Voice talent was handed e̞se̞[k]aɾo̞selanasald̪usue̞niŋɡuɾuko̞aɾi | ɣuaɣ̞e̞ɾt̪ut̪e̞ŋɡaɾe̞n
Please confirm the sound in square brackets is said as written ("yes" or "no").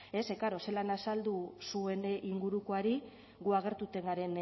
yes